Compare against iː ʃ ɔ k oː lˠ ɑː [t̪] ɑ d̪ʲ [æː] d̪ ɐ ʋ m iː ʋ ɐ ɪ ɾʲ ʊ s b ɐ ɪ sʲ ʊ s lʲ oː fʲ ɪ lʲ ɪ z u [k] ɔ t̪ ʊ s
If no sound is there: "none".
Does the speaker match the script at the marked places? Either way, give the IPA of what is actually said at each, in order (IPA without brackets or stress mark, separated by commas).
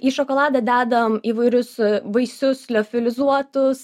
d̪, æː, none